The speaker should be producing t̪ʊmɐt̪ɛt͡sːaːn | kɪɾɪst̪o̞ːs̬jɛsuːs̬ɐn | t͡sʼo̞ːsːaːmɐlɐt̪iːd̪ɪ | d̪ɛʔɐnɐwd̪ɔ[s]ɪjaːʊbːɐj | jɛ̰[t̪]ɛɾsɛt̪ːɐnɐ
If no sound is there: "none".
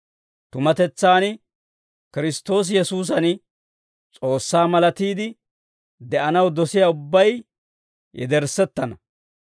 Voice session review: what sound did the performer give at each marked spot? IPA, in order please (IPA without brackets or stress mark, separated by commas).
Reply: s, d̪